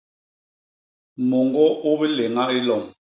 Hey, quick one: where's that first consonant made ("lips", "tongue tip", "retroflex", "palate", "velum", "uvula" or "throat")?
lips